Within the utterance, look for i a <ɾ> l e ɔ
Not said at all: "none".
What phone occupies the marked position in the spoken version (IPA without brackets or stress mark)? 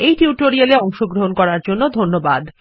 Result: none